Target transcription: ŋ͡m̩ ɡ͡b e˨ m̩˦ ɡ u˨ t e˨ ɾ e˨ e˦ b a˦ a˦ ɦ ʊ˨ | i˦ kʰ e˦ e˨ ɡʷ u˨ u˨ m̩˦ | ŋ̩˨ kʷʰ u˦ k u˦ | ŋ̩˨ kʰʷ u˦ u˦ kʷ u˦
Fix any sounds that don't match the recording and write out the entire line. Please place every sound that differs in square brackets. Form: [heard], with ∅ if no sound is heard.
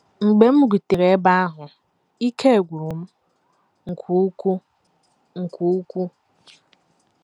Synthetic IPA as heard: ŋ͡m̩ ɡ͡b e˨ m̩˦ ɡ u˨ t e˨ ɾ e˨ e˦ b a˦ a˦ ɦ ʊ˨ | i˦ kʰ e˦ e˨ ɡʷ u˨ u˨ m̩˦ | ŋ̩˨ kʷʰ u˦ k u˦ | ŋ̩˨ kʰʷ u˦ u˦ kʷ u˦